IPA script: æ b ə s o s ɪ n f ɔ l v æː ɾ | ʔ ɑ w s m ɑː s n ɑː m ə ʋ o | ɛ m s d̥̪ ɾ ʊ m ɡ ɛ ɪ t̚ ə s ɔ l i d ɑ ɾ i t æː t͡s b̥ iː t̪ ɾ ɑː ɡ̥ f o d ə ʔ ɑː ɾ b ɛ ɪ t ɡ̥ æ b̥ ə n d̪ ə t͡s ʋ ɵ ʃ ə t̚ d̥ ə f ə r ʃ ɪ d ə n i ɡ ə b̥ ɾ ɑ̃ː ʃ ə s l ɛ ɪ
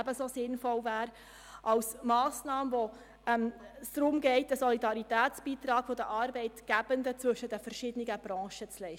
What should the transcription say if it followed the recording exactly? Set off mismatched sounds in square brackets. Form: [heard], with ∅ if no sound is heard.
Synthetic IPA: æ b ə s o s ɪ n f ɔ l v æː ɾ | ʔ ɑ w s m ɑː s n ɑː m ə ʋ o | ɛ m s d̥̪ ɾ ʊ m ɡ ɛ ɪ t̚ ə s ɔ l i d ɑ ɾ i t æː t͡s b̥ iː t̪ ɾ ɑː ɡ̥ f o d ə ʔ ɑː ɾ b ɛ ɪ t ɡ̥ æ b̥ ə n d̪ ə t͡s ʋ ɵ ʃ ə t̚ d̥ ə f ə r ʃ ɪ d ə n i ɡ ə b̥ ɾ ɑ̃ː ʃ ə [t͡s] l ɛ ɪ